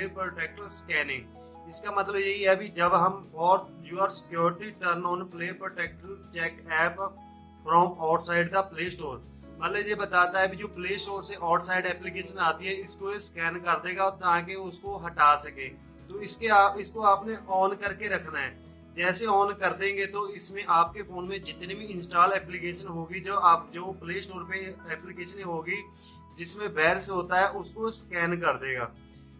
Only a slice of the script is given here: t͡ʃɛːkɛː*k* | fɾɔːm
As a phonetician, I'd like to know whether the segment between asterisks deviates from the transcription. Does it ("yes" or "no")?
yes